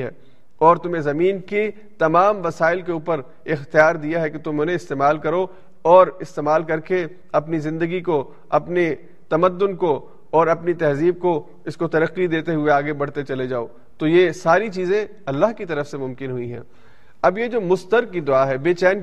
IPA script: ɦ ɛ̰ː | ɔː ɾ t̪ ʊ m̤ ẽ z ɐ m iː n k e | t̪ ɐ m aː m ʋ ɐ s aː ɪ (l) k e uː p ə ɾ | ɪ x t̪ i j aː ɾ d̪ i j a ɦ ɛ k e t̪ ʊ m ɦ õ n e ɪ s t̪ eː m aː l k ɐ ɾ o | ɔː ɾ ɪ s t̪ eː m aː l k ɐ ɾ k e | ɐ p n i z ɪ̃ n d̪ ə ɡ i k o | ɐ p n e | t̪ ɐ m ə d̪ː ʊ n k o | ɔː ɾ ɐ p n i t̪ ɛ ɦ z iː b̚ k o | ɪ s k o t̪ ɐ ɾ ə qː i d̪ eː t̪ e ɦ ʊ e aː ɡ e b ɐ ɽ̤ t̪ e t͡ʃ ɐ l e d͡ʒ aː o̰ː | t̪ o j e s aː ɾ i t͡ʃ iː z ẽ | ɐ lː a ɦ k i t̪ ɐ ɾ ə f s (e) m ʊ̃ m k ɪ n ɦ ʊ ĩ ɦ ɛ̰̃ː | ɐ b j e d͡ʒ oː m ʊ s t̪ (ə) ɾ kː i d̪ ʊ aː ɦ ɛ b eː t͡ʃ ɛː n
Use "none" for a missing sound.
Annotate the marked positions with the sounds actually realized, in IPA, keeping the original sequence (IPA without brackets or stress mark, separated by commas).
l, e, ə